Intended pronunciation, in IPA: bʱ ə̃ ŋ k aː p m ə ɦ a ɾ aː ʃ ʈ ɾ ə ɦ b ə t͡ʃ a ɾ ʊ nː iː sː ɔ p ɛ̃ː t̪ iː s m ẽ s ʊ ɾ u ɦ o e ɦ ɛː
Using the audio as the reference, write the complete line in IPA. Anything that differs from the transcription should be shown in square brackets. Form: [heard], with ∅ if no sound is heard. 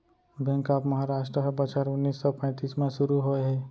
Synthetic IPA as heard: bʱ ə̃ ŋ k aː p m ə ɦ a ɾ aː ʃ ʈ ɾ ə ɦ b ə t͡ʃ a ɾ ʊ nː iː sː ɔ p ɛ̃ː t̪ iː s m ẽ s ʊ ɾ u ɦ o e ɦ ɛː